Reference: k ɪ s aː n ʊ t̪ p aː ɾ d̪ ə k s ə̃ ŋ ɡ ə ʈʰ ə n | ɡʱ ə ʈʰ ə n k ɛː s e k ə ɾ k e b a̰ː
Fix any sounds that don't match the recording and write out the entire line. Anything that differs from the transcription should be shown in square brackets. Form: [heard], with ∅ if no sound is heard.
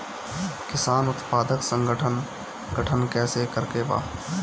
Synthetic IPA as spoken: k ɪ s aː n ʊ t̪ p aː [∅] d̪ ə k s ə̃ ŋ ɡ ə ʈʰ ə n | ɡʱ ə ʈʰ ə n k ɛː s e k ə ɾ k e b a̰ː